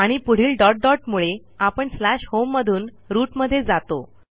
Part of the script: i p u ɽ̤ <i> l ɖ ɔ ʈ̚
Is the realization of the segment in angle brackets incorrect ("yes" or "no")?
yes